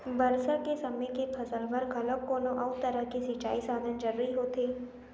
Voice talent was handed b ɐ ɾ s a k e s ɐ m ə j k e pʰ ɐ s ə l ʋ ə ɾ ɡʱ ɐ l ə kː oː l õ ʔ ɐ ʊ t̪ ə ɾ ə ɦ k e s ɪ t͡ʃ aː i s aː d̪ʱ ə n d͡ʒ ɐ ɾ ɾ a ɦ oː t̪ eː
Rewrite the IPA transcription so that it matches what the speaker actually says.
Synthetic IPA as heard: b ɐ ɾ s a k e s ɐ m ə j k e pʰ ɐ s ə l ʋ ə ɾ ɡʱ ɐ l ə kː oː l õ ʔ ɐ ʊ t̪ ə ɾ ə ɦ k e s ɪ t͡ʃ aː i s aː d̪ʱ ə n d͡ʒ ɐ ɾ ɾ i ɦ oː t̪ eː